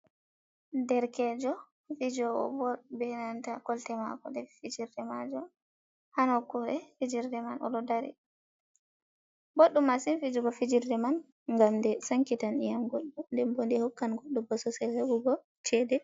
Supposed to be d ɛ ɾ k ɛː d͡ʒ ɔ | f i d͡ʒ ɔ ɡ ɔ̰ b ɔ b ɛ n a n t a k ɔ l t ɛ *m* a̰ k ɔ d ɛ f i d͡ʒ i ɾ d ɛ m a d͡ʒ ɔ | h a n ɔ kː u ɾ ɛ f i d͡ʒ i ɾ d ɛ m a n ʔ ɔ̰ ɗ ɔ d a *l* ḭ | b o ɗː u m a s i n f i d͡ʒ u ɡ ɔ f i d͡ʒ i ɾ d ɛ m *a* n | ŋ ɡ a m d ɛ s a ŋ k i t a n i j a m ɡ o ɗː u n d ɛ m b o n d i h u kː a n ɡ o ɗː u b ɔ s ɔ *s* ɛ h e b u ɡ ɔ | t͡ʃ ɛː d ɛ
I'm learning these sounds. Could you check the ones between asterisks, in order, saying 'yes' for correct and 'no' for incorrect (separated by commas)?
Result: yes, no, yes, yes